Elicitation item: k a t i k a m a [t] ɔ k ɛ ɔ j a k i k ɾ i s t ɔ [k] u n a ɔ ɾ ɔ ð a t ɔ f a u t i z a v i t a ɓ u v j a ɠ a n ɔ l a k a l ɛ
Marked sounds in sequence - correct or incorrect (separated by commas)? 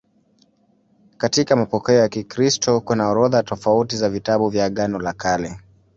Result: incorrect, correct